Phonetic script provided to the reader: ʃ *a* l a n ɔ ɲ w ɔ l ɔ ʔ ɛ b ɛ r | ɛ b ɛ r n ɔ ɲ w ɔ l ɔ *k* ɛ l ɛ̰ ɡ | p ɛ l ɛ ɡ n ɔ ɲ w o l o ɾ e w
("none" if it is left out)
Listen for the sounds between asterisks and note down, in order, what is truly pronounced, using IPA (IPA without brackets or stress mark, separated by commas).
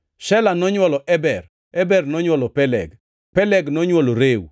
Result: ɛ, p